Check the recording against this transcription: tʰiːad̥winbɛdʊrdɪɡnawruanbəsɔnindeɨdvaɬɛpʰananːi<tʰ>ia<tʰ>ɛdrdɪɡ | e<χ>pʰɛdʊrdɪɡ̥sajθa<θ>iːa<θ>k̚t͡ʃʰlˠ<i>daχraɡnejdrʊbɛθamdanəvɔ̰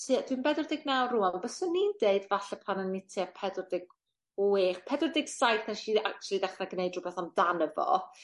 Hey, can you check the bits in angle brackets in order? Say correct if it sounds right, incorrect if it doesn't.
correct, incorrect: pʰ, correct, incorrect: ʃ, incorrect: none, correct

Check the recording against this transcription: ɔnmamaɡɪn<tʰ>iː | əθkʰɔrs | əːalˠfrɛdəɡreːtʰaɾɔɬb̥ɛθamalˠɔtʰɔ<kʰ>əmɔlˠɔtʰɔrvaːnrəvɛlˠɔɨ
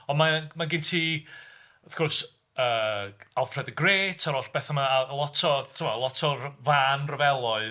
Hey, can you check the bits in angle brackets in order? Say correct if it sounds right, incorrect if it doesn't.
correct, incorrect: tʰ

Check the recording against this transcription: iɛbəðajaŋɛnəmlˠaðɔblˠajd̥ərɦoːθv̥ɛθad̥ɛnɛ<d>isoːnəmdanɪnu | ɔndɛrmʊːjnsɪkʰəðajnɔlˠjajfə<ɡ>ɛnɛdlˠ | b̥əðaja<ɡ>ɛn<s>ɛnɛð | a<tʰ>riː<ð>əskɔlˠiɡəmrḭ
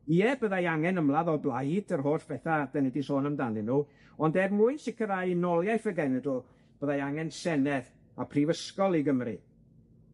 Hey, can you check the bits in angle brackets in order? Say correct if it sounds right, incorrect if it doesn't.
correct, correct, incorrect: ŋ, correct, incorrect: pʰ, incorrect: v

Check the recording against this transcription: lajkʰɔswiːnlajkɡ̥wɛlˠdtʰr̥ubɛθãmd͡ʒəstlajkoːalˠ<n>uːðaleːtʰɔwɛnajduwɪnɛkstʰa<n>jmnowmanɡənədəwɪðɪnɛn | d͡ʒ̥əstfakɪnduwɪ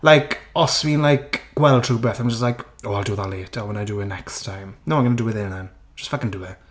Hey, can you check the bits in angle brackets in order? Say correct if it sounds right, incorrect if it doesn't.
incorrect: d, incorrect: none

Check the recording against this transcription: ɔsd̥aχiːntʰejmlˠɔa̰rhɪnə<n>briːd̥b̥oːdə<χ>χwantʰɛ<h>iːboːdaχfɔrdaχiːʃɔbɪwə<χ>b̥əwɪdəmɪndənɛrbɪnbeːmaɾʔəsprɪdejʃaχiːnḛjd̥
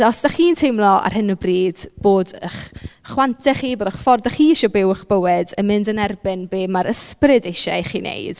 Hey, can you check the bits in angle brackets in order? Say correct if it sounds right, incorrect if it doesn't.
incorrect: none, correct, incorrect: χ, correct

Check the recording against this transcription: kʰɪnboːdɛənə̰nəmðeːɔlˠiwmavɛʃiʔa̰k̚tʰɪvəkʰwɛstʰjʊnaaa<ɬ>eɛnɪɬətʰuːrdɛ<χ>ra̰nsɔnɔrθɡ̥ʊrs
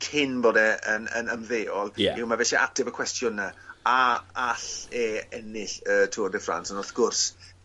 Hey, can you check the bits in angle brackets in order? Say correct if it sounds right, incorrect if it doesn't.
correct, incorrect: f

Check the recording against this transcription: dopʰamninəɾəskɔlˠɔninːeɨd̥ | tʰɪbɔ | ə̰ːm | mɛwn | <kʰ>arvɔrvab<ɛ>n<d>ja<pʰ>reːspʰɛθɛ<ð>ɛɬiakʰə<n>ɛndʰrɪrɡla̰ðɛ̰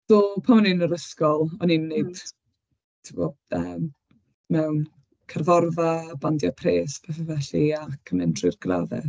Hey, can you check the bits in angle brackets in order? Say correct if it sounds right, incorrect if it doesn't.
correct, incorrect: a, correct, correct, incorrect: v, incorrect: m

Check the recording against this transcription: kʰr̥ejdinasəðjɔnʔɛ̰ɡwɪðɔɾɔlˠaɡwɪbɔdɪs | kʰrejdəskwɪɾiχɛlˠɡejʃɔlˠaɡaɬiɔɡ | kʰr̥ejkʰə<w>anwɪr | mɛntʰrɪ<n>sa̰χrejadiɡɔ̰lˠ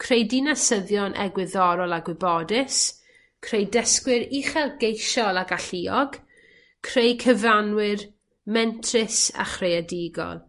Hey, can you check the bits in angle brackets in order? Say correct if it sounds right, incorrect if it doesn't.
incorrect: v, incorrect: none

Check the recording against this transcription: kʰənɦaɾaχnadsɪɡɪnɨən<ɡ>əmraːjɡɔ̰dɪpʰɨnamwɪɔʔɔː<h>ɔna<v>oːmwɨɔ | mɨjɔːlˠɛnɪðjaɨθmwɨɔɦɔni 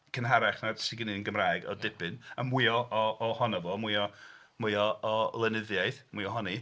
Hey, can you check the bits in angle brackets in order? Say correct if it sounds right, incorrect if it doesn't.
correct, correct, correct

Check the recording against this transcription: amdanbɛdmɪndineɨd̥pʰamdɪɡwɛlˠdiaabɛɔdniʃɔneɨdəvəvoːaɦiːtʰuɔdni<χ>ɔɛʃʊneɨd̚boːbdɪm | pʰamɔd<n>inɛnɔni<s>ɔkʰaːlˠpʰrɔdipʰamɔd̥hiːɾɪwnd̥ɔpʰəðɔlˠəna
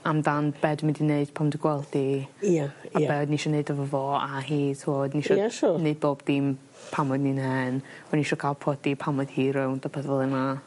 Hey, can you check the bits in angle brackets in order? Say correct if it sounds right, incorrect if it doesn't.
incorrect: ʃ, correct, incorrect: ʃ

